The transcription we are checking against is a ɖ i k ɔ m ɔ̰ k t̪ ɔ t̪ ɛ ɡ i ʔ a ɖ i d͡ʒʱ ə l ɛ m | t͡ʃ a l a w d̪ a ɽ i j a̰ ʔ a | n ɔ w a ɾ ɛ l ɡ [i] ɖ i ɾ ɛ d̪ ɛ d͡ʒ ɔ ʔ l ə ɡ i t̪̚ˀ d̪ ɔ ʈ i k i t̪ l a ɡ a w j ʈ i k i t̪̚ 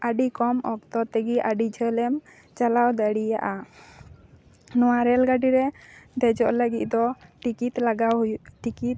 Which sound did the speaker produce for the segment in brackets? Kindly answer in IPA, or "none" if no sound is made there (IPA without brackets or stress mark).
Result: a